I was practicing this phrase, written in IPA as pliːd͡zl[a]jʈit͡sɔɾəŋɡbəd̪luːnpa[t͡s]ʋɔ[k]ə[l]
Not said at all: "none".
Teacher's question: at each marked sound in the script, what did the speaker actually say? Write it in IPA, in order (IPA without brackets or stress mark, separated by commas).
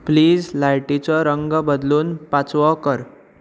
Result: a, t͡s, k, ɾ